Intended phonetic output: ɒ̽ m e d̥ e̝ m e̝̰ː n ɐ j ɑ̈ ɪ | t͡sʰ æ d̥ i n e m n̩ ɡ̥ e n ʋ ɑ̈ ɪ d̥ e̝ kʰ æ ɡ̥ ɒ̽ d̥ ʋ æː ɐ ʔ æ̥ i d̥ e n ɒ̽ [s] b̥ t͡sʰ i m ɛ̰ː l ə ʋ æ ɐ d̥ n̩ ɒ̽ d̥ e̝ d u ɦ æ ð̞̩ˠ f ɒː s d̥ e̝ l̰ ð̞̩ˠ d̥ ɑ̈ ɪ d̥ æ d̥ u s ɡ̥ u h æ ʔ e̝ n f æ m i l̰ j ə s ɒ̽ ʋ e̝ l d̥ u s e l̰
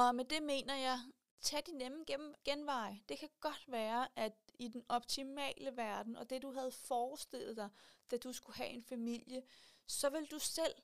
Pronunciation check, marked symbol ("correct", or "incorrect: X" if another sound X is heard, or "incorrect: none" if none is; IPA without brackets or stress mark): incorrect: none